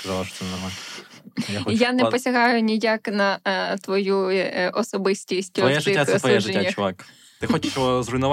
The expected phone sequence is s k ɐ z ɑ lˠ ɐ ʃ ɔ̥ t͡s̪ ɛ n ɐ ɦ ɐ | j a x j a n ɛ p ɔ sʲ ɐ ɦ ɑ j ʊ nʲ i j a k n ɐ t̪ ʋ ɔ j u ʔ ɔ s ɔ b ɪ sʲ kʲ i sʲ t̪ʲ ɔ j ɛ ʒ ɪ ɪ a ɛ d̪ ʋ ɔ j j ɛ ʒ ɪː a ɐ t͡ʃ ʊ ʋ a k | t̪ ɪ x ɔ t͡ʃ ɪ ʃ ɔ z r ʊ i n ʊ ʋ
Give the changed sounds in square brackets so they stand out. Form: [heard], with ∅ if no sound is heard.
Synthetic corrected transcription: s k ɐ z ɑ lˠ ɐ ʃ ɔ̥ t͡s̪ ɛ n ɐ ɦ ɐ | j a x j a n ɛ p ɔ sʲ ɐ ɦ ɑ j ʊ nʲ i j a k n ɐ t̪ ʋ ɔ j u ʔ ɔ s ɔ b ɪ sʲ [tʲ] i sʲ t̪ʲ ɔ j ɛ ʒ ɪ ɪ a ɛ [t̪] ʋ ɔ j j ɛ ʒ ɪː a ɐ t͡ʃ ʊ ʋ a k | t̪ ɪ x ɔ t͡ʃ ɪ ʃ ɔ z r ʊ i n ʊ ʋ